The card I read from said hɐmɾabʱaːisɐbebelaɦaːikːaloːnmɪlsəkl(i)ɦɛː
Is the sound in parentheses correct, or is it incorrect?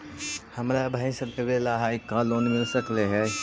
incorrect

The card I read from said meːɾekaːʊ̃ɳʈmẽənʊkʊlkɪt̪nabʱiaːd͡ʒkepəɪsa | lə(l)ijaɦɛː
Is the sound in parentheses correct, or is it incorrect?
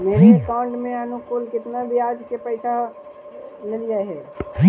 correct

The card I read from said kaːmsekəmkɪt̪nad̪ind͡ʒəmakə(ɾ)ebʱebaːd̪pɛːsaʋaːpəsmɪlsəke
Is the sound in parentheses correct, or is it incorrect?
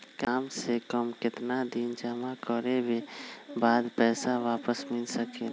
correct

